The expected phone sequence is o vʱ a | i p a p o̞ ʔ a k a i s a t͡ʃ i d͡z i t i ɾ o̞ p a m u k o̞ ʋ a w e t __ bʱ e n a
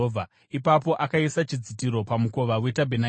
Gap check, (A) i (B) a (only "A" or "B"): B